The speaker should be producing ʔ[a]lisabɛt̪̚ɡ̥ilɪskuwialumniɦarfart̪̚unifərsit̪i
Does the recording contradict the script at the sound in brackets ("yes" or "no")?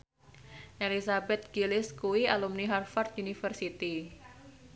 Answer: yes